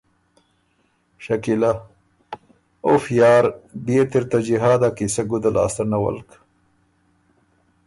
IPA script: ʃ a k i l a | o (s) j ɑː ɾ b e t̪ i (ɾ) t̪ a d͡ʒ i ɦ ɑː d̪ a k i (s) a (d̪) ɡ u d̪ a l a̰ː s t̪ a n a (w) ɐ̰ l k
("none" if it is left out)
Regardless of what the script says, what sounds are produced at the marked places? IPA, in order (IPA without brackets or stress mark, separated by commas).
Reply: f, ɾ, s, none, w